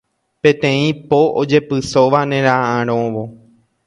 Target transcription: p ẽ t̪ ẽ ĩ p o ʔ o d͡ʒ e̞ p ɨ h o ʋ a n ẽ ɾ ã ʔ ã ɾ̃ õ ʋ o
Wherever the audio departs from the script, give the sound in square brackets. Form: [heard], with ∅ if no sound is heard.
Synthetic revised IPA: p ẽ t̪ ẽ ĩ p o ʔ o d͡ʒ e̞ p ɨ [s] o ʋ a n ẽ ɾ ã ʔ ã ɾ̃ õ ʋ o